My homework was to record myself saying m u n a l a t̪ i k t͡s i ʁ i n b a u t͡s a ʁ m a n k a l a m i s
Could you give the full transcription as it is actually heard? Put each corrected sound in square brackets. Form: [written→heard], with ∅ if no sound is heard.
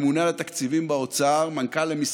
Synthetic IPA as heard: m u n a l a t̪ [i→a] k t͡s i [ʁ→v] i [n→m] b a [u→o] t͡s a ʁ m a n k a l [a→e] m i s